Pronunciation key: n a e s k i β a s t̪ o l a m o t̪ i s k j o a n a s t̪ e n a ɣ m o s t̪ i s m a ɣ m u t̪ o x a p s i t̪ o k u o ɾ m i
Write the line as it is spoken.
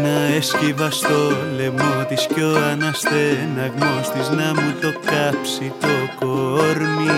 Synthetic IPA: n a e s k i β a s t̪ o l e m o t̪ i s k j o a n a s t̪ e n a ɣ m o s t̪ i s n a m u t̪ o k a p s i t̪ o k o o ɾ m i